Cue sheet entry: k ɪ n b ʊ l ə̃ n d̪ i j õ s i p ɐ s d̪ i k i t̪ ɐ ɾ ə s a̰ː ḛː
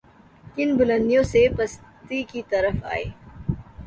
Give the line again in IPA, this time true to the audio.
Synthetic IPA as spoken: k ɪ n b ʊ l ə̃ n d̪ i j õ s e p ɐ s t̪ i k i t̪ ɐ ɾ ə f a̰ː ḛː